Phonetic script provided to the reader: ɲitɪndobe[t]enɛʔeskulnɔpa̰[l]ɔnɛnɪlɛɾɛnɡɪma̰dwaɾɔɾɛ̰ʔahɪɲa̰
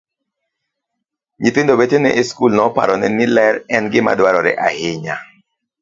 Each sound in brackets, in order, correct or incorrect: correct, incorrect

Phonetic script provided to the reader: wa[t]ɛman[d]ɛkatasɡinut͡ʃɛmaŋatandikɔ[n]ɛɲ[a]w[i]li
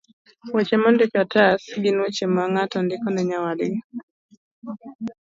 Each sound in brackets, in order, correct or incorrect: incorrect, correct, correct, correct, incorrect

